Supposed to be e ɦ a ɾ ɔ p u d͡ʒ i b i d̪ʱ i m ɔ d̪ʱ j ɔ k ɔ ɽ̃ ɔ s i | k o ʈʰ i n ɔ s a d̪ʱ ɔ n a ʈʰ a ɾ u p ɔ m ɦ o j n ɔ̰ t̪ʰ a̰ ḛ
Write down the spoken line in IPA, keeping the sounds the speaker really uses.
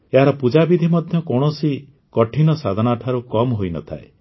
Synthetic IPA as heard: e ɦ a ɾ ɔ p u d͡ʒ a b i d̪ʱ i m ɔ d̪ʱ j ɔ k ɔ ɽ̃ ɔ s i | k ɔ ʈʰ i n ɔ s a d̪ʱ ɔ n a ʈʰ a ɾ u k ɔ m ɦ o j n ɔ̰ t̪ʰ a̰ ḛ